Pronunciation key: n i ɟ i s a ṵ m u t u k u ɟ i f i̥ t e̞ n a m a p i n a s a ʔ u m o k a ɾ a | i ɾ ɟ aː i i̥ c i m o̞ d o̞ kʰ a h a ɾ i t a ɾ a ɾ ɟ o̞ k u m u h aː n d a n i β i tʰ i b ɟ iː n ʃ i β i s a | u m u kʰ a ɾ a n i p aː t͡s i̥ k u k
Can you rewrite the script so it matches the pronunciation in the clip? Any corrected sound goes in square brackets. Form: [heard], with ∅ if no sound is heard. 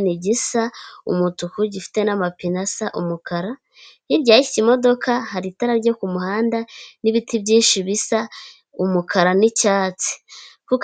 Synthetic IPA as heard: n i ɟ i s a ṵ m u t u k u ɟ i f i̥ t e̞ n a m a p i n a s a ʔ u m [u] k a ɾ a | i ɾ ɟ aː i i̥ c i m o̞ d o̞ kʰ a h a ɾ i t a ɾ a ɾ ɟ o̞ k u m u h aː n d a n i β i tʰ i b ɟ iː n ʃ i β i s a | u m u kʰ a ɾ a n i [c] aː t͡s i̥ k u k